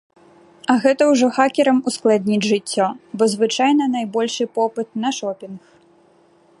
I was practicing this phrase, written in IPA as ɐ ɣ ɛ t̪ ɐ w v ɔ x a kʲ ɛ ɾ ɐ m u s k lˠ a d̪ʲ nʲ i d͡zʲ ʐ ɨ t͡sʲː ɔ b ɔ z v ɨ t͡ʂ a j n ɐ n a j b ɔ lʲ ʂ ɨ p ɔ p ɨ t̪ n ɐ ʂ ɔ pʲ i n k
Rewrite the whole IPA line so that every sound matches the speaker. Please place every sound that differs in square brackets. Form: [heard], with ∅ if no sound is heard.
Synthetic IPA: ɐ ɣ ɛ t̪ ɐ w [ʐ] ɔ x a kʲ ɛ ɾ ɐ m u s k lˠ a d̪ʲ nʲ i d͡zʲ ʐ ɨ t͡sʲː ɔ b ɔ z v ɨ t͡ʂ a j n ɐ n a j b ɔ lʲ ʂ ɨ p ɔ p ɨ t̪ n ɐ ʂ ɔ pʲ i n [x]

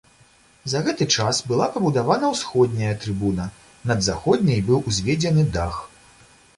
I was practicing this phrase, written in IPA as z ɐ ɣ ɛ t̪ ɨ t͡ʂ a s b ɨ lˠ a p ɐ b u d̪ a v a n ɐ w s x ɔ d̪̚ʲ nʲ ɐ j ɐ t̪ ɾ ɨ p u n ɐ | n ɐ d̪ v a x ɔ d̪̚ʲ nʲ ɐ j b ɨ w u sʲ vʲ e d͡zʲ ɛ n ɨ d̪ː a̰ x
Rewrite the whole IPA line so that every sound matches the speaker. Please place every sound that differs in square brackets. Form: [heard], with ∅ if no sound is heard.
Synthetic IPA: z ɐ ɣ ɛ t̪ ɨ t͡ʂ a s b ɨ lˠ a p ɐ b u d̪ a v a n ɐ w s x ɔ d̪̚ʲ nʲ ɐ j ɐ t̪ ɾ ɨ [b] u n ɐ | n ɐ d̪ [z] a x ɔ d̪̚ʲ nʲ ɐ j b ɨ w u [zʲ] vʲ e d͡zʲ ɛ n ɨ [d̪] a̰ x

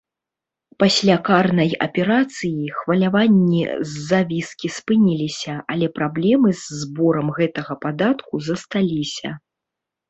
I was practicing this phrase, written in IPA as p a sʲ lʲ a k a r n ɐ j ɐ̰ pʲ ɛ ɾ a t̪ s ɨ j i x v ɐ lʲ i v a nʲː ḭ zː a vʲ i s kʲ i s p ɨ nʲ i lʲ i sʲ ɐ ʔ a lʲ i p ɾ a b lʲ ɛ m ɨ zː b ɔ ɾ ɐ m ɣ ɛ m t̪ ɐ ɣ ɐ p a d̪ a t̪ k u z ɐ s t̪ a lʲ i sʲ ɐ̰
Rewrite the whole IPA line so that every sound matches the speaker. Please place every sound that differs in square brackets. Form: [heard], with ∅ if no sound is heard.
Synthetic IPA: p a sʲ lʲ a k a r n ɐ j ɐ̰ pʲ ɛ ɾ a t̪ s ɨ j i x v ɐ lʲ [a] v a nʲː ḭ zː a vʲ i s kʲ i s p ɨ nʲ i lʲ i sʲ ɐ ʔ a lʲ [ɛ] p ɾ a b lʲ ɛ m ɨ zː b ɔ ɾ ɐ m ɣ ɛ [∅] t̪ ɐ ɣ ɐ p a d̪ a t̪ k u z ɐ s t̪ a lʲ i sʲ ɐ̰

